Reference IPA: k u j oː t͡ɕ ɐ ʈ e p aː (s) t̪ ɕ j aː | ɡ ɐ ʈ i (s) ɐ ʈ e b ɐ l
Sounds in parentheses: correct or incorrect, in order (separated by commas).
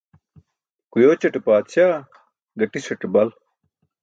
incorrect, correct